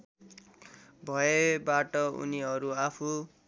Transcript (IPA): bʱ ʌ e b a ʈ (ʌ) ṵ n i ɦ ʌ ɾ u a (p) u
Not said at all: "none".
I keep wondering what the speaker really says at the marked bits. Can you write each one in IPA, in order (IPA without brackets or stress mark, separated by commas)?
ʌ, pʰ